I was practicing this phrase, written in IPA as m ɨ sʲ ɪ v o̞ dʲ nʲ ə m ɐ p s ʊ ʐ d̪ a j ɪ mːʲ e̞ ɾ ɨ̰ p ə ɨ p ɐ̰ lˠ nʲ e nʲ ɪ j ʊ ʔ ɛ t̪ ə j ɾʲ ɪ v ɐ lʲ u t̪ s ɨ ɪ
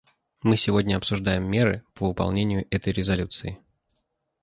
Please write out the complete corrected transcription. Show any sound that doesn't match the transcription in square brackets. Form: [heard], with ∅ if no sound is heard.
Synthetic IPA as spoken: m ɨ sʲ ɪ v o̞ dʲ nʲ ə [∅] ɐ p s ʊ ʐ d̪ a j ɪ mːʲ e̞ ɾ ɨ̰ p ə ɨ p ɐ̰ lˠ nʲ e nʲ ɪ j ʊ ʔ ɛ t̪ ə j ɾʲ ɪ [z] ɐ lʲ u t̪ s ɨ ɪ